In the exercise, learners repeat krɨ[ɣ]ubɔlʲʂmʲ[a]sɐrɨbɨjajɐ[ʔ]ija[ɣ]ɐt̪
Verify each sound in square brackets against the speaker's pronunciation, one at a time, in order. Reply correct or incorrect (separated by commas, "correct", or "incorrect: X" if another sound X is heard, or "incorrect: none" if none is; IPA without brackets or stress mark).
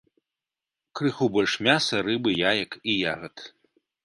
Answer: incorrect: x, correct, incorrect: k, correct